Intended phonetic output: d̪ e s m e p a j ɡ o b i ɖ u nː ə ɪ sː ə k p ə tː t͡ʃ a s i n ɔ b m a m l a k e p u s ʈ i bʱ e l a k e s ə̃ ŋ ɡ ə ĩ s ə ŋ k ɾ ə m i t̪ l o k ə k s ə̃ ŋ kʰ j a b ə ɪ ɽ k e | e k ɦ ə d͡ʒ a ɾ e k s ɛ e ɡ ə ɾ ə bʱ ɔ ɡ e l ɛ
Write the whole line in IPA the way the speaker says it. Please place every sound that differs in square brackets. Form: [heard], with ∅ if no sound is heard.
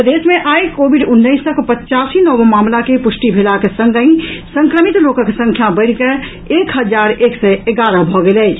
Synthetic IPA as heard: d̪ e s m e [ʔ] a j [k] o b i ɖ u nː ə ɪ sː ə k p ə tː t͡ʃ a s i n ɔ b m a m l a k e p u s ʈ i bʱ e l a k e s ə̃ ŋ ɡ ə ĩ s ə ŋ k ɾ ə m i t̪ l o k ə k s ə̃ ŋ kʰ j a b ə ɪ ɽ k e | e k ɦ ə d͡ʒ a ɾ e k s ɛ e ɡ [a] ɾ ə bʱ ɔ ɡ e l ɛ

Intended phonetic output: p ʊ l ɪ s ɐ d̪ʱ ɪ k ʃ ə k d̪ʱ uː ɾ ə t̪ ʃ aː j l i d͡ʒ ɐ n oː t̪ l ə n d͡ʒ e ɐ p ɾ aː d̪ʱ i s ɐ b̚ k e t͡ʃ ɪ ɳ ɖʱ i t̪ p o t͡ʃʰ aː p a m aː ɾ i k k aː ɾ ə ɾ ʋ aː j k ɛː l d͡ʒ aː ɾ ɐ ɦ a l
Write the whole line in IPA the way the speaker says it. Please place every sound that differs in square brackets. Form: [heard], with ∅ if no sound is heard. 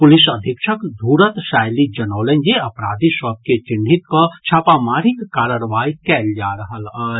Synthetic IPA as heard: p ʊ l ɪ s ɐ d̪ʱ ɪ k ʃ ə k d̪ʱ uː ɾ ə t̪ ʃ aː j l i d͡ʒ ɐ n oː [∅] l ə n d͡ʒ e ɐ p ɾ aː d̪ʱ i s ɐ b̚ k e t͡ʃ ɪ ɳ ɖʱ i t̪ [k] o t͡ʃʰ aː p a m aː ɾ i k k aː ɾ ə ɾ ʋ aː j k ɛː l d͡ʒ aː ɾ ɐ ɦ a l

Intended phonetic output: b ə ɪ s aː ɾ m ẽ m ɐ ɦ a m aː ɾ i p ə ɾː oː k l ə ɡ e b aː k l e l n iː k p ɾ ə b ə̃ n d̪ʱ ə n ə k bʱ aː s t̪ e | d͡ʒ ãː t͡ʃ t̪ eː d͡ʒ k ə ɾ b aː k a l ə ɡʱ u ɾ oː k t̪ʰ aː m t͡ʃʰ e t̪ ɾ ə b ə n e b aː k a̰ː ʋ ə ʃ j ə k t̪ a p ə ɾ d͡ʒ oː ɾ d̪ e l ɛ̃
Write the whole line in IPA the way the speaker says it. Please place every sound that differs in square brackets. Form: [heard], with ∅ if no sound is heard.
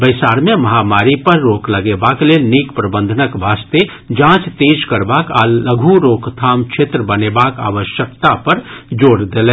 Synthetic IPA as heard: b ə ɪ s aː ɾ m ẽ m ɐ ɦ a m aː ɾ i p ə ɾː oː k l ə ɡ e b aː k l e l n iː k p ɾ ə b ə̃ n d̪ʱ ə n ə k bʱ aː s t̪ e | d͡ʒ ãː t͡ʃ t̪ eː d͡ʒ k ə ɾ b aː k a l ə ɡʱ u ɾ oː k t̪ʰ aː m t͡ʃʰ e t̪ ɾ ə b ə n e b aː k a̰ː ʋ ə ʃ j ə k t̪ a p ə ɾ d͡ʒ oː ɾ d̪ e l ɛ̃

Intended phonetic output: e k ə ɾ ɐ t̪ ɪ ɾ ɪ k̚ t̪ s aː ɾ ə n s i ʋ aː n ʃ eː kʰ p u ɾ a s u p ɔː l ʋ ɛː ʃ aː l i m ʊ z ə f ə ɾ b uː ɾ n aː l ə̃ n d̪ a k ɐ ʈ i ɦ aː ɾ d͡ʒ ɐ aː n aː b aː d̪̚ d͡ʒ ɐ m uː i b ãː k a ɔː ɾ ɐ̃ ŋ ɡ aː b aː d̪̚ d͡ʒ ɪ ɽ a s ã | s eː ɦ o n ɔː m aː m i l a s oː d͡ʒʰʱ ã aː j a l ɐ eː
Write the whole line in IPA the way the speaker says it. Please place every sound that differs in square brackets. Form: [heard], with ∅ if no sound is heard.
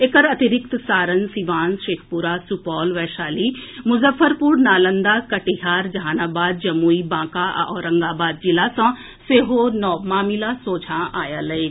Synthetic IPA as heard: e k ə ɾ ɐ t̪ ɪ ɾ ɪ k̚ t̪ s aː ɾ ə n s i ʋ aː n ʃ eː kʰ p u ɾ a s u p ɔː l ʋ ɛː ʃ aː l i m ʊ z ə f ə ɾ [p] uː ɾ n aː l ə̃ n d̪ a k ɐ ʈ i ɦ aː ɾ d͡ʒ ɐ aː n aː b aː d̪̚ d͡ʒ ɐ m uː i b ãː k a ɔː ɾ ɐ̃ ŋ ɡ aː b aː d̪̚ d͡ʒ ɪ [l] a s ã | s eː ɦ o n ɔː m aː m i l a s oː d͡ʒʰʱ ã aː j a l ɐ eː

